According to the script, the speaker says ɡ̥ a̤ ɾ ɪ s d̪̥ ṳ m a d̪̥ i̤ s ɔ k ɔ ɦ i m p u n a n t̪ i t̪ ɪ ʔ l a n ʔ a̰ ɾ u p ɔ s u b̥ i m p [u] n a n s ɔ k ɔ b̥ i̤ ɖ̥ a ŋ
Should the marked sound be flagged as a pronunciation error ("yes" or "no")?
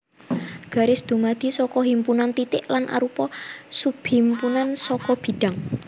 no